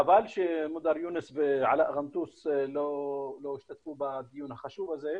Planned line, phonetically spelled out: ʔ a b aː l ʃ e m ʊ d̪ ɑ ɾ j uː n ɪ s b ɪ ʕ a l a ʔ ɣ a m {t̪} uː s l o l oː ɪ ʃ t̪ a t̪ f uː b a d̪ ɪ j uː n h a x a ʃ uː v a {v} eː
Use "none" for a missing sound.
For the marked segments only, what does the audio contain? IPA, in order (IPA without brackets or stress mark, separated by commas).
t̪, z